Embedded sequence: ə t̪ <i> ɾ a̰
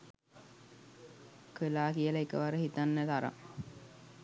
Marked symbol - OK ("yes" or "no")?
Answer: no